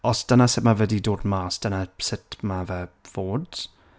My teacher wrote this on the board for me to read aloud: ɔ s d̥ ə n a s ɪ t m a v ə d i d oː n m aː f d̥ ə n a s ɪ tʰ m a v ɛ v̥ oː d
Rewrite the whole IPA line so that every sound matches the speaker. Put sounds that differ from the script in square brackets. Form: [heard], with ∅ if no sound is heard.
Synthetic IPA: ɔ s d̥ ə n a s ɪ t m a v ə d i d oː [d] m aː [s] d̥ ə n a s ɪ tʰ m a v ɛ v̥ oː d